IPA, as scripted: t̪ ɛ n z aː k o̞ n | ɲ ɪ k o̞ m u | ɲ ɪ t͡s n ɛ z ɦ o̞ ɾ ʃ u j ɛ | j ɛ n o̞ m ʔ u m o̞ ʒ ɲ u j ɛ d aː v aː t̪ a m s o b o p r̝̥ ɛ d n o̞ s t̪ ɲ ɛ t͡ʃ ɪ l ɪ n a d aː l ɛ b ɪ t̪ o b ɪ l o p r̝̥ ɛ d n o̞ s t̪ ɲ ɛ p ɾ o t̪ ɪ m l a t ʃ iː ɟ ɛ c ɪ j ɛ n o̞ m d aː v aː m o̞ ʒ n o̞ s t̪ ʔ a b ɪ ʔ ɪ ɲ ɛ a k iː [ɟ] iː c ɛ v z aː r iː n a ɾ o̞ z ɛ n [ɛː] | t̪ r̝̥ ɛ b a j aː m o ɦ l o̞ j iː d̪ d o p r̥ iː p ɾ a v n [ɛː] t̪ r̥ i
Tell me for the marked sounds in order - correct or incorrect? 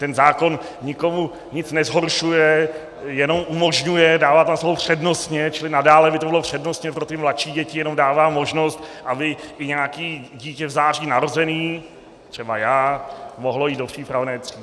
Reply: correct, incorrect, correct

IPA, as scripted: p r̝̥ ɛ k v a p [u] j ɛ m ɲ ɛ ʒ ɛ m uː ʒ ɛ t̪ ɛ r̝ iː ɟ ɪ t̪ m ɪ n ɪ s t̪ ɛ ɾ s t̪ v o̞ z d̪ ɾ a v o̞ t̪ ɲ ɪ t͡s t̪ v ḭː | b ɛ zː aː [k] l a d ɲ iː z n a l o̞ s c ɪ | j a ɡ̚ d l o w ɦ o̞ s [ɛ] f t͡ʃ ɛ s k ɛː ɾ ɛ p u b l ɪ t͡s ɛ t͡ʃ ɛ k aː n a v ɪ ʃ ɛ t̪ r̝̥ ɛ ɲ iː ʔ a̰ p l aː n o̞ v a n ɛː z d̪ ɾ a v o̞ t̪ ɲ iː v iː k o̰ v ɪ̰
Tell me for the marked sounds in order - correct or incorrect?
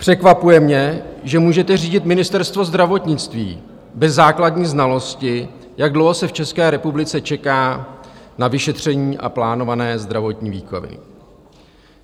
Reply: correct, correct, correct

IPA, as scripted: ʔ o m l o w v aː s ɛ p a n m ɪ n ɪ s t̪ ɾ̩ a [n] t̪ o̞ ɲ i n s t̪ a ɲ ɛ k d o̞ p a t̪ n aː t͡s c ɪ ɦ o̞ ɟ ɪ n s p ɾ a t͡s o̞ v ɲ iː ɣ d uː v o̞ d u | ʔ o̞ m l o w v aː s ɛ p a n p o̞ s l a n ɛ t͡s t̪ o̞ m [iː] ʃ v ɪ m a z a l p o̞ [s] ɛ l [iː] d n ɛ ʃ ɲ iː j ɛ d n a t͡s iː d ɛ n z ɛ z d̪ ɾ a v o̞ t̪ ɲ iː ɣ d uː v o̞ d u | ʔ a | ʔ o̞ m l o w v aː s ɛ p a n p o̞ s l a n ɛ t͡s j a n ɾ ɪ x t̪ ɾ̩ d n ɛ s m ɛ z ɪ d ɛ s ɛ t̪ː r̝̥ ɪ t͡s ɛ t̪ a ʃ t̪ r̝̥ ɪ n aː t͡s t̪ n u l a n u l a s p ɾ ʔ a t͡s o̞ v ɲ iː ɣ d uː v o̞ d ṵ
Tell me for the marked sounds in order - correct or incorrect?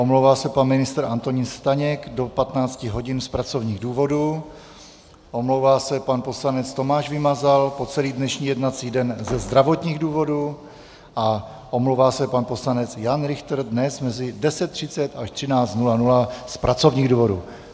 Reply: correct, incorrect, incorrect, correct

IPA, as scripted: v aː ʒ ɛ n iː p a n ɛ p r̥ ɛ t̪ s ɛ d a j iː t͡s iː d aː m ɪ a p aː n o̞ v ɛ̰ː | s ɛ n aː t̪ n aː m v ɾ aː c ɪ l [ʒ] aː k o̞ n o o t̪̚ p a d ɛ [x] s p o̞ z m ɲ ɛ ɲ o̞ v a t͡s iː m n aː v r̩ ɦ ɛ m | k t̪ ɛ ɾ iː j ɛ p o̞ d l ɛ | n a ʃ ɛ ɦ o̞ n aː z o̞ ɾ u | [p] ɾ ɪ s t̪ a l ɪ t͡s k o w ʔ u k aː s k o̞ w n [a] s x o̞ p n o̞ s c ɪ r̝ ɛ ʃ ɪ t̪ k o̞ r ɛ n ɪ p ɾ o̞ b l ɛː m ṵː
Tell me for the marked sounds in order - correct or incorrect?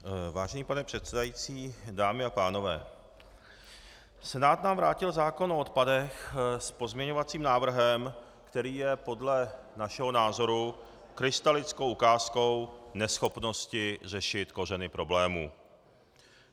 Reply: incorrect, correct, incorrect, incorrect

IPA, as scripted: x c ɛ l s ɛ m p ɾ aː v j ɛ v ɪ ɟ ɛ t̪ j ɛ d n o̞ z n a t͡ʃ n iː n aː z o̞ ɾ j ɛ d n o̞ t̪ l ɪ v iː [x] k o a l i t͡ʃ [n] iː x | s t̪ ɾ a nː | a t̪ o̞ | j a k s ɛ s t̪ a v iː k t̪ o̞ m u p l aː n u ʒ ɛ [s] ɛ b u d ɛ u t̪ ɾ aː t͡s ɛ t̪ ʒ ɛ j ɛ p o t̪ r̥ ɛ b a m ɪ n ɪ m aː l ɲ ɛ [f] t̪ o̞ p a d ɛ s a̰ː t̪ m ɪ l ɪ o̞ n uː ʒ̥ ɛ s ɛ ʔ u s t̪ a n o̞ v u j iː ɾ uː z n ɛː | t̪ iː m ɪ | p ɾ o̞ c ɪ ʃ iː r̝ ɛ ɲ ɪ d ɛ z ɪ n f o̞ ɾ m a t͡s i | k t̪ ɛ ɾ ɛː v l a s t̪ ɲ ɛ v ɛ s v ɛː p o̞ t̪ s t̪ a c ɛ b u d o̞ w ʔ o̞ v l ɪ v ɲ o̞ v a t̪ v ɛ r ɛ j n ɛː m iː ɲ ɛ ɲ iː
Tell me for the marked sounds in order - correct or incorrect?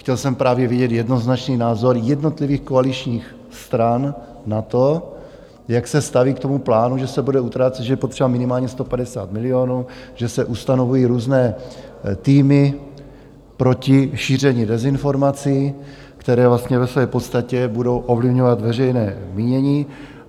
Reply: correct, incorrect, correct, incorrect

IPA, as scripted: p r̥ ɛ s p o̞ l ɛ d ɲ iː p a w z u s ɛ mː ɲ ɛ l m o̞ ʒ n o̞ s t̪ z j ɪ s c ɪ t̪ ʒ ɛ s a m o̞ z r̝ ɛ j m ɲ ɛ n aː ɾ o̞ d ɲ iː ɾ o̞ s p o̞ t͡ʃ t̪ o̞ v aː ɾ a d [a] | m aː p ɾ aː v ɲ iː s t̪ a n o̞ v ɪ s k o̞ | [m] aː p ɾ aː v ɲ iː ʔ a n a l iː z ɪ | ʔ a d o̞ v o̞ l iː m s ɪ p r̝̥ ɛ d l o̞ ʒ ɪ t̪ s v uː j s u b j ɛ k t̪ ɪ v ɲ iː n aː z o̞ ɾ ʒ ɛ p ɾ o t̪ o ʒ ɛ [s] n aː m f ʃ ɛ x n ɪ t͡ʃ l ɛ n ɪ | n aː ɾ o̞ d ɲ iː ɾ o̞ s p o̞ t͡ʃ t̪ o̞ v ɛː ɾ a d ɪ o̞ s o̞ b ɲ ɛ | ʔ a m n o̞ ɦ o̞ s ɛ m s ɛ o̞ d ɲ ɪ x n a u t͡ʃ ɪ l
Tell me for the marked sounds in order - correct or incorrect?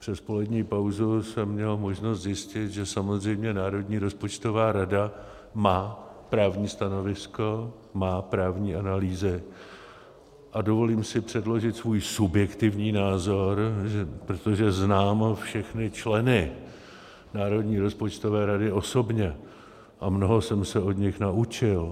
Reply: correct, correct, incorrect

